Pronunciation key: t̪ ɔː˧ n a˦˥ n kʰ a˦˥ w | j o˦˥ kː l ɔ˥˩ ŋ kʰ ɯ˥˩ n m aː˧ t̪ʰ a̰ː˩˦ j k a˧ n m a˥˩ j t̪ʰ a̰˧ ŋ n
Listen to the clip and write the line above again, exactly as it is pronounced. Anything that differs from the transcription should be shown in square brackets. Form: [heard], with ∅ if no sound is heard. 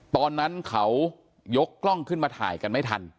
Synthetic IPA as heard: t̪ ɔː˧ [nː] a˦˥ n kʰ a˦˥ w | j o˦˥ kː l ɔ˥˩ ŋ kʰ ɯ˥˩ n m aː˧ t̪ʰ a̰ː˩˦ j k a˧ n m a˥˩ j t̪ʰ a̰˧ [∅] n